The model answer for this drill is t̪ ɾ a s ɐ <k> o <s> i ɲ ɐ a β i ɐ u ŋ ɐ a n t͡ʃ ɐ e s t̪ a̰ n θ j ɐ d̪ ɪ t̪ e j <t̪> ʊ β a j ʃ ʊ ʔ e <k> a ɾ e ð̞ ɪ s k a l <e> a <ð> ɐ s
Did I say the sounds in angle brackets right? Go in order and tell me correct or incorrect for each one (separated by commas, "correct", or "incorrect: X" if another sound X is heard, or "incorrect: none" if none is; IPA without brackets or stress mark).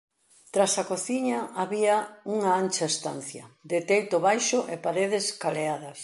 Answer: correct, incorrect: θ, correct, incorrect: p, correct, correct